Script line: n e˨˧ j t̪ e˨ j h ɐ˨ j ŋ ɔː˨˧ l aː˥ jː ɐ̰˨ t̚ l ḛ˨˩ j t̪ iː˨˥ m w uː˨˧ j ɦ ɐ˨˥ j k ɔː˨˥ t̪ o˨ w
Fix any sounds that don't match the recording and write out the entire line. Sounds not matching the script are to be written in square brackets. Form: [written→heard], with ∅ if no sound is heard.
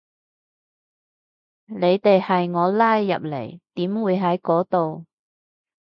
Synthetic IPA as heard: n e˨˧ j t̪ e˨ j h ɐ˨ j ŋ ɔː˨˧ l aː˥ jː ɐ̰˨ [t̚→p̚] l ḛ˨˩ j t̪ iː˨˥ m w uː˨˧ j ɦ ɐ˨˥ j k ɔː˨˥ t̪ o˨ w